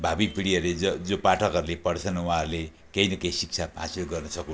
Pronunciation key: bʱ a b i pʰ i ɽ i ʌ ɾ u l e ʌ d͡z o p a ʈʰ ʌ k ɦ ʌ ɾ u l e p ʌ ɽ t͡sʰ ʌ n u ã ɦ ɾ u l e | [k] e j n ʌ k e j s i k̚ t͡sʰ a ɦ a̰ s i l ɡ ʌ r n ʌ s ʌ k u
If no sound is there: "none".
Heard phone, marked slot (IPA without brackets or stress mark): k